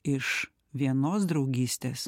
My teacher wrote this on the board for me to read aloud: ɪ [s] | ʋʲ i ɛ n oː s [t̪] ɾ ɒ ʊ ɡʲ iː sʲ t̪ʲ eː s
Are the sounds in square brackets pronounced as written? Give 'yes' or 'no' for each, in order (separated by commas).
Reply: no, no